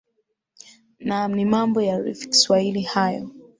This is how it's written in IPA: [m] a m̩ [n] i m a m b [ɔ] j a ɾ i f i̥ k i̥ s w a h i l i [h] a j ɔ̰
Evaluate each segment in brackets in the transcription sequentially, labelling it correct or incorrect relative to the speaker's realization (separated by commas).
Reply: incorrect, correct, correct, correct